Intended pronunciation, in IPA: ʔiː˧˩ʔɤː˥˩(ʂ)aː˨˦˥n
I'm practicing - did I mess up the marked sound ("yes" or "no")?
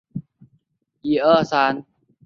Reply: yes